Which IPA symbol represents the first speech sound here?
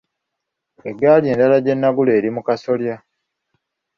e̞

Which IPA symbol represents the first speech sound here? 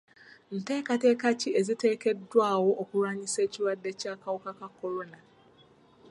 n̩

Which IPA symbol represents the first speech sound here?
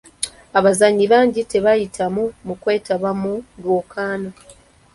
a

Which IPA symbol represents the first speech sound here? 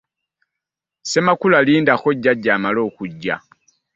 s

